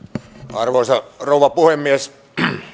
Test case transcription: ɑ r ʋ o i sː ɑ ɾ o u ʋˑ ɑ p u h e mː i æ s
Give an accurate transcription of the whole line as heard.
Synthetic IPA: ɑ r ʋ o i s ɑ r o u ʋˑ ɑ p u h e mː i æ s